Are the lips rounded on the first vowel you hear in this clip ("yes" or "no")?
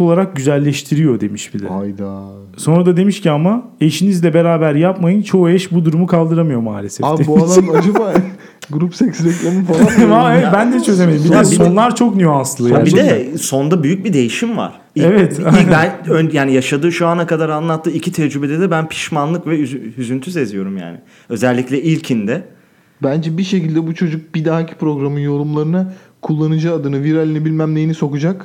yes